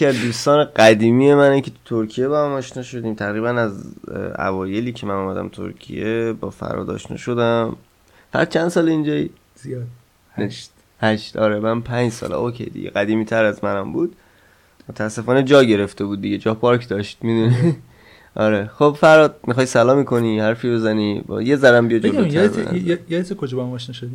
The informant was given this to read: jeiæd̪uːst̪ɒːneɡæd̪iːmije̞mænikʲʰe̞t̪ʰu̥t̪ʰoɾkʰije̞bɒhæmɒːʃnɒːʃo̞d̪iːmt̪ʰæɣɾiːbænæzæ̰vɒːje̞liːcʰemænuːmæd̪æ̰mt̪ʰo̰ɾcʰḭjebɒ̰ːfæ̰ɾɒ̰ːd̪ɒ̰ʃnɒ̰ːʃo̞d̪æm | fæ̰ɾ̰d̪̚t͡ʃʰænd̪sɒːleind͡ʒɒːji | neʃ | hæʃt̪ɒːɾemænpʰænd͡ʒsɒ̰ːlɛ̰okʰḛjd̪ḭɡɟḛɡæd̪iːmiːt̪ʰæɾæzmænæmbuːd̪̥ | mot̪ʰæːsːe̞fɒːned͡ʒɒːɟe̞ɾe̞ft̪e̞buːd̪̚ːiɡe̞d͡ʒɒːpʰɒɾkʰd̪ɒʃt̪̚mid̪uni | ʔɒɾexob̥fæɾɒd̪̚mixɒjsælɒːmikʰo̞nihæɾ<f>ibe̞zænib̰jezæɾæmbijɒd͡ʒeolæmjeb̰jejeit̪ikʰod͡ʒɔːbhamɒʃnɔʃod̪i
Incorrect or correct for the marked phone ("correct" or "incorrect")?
correct